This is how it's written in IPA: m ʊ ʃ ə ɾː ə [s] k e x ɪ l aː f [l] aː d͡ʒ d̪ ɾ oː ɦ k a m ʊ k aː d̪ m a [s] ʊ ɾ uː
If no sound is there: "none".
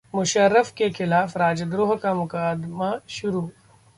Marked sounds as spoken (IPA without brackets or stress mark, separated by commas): f, ɾ, ʃ